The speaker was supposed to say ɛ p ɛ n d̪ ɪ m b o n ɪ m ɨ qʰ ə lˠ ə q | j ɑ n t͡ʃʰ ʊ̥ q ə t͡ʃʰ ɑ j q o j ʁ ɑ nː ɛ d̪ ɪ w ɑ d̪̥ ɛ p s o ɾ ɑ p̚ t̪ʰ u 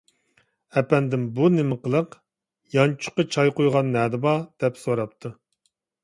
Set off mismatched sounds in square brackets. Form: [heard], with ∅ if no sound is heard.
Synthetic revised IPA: ɛ p ɛ n d̪ ɪ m b [u] n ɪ m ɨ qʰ ə lˠ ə q | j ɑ n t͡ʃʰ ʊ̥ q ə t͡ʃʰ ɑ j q o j ʁ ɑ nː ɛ d̪ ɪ [b] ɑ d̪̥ ɛ p s o ɾ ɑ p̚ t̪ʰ u